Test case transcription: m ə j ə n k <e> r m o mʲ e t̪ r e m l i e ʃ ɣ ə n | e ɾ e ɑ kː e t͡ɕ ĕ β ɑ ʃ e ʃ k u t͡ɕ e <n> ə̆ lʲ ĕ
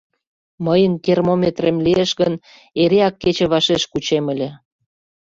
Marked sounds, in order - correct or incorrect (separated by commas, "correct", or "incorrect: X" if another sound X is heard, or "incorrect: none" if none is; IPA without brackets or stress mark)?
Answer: correct, incorrect: m